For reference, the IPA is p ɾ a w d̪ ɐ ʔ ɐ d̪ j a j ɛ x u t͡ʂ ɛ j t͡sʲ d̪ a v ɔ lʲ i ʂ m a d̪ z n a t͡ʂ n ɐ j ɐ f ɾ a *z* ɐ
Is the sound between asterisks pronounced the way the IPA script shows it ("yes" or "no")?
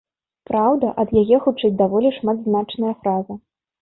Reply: yes